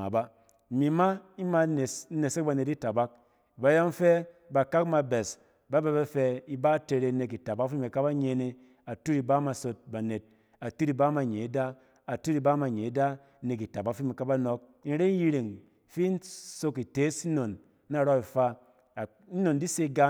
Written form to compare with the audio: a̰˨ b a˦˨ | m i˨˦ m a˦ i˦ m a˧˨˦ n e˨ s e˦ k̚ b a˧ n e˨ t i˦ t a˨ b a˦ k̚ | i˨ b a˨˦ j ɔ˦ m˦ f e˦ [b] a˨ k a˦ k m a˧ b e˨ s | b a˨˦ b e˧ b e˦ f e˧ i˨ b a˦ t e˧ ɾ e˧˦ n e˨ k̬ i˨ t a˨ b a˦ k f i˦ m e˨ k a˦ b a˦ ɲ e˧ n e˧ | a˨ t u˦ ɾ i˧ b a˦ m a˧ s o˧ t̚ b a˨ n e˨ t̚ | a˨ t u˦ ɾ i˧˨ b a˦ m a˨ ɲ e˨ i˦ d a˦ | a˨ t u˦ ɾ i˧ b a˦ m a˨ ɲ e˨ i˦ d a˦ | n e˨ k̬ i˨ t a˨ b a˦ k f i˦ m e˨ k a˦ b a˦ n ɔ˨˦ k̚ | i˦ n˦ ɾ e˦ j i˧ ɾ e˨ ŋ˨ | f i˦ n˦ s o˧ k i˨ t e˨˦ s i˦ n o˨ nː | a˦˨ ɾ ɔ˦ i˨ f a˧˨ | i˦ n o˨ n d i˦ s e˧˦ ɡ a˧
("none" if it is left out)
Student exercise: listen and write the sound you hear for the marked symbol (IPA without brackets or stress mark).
b